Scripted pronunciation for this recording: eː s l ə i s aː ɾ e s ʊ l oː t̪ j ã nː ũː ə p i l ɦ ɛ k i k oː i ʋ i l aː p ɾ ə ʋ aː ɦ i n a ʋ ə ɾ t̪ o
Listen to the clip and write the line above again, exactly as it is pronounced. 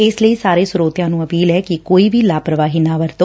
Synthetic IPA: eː s l ə i s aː ɾ e s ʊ ɾ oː t̪ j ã n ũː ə p iː l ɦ ɛ k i k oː i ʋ i l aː p ɾ ə ʋ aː ɦ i n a ʋ ə ɾ t̪ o